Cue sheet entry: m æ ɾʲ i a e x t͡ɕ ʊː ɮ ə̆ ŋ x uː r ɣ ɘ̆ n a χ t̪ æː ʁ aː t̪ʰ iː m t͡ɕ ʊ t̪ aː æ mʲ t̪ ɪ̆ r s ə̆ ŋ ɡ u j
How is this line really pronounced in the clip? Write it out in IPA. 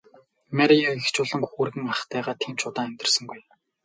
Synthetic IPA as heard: m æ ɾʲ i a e x t͡ɕ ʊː ɮ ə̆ ŋ x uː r ɣ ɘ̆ ŋ a χ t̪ æː ʁ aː t̪ʰ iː m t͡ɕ ʊ t̪ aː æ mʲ t̪ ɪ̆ r s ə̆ ŋ ɡ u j